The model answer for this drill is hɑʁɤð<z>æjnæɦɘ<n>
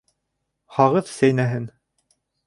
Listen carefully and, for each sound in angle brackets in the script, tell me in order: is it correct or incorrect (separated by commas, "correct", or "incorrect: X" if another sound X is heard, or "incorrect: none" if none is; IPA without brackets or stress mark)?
incorrect: s, correct